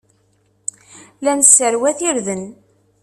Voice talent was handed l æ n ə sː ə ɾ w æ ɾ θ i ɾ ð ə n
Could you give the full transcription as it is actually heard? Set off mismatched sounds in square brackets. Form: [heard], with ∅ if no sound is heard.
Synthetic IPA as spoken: l æ n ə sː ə ɾ w æ [∅] θ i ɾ ð ə n